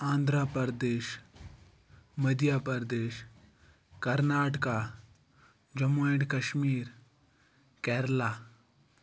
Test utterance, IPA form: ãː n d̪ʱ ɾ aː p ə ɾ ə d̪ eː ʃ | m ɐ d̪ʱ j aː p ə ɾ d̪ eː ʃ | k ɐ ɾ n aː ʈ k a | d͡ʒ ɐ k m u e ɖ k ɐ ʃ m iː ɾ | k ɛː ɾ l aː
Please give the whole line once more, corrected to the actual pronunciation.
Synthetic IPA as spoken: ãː n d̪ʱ ɾ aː p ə ɾ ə d̪ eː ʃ | m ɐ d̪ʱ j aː p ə ɾ d̪ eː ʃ | k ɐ ɾ n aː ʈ k a | d͡ʒ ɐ m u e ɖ k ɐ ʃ m iː ɾ | k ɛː ɾ l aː